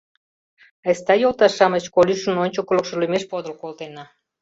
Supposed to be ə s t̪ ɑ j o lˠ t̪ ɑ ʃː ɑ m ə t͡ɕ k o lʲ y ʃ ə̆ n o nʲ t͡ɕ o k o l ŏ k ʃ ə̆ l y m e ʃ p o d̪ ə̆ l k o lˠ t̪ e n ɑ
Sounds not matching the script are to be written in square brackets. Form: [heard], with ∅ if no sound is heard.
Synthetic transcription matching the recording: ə s t̪ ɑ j o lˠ t̪ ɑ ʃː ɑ m ə t͡ɕ k o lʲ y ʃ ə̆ n o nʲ t͡ɕ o k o l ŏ k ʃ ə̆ l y m e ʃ p o d̪ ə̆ l k o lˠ t̪ e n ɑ